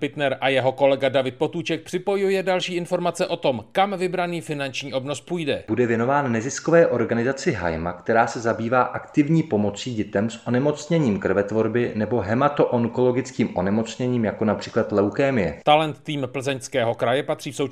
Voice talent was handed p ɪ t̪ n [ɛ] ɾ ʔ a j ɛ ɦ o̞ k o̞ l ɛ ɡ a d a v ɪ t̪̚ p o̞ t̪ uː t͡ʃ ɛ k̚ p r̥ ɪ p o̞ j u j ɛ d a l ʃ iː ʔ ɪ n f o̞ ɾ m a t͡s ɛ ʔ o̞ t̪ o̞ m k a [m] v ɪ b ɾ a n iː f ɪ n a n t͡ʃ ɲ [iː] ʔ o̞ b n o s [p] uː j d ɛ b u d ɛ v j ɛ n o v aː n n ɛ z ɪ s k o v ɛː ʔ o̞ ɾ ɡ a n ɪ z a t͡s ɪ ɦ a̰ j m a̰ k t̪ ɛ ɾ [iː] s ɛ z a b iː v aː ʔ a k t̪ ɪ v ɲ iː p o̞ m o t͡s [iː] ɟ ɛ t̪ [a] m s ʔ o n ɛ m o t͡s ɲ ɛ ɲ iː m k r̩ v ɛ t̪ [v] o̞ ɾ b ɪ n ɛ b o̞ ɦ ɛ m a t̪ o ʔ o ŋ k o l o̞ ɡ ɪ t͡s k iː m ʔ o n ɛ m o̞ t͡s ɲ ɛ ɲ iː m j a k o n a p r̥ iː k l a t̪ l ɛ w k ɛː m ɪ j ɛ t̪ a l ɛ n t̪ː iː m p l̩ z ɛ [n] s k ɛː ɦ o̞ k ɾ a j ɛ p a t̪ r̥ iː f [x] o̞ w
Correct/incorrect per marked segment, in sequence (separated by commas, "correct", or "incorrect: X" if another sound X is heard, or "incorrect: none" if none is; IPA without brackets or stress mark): correct, correct, correct, correct, incorrect: aː, correct, incorrect: ɛ, correct, incorrect: ɲ, incorrect: s